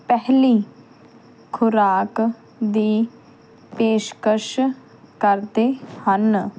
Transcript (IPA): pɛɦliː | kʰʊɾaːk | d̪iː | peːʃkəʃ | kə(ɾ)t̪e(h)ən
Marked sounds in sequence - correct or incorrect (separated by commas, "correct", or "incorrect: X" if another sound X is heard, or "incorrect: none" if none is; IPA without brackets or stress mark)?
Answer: correct, correct